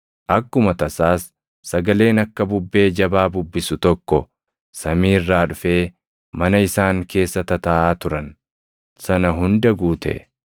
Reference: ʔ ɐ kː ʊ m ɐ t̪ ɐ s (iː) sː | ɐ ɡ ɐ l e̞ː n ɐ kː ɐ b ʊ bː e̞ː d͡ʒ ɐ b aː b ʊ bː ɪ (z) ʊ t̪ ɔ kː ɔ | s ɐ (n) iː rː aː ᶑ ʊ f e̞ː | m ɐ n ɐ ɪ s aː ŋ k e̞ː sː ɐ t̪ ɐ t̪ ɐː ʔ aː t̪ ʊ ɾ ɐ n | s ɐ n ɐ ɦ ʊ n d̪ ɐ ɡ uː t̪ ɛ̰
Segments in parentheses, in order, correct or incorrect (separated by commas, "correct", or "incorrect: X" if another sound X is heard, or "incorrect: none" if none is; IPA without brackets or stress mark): incorrect: aː, incorrect: s, incorrect: m